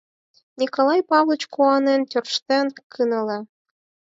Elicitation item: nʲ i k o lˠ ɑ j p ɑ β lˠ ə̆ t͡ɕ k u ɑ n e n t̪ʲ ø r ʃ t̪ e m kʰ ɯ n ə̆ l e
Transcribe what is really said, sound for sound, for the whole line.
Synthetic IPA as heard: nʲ i k o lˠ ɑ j p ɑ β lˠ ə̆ t͡ɕ k u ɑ n e n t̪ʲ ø r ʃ t̪ e n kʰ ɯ n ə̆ l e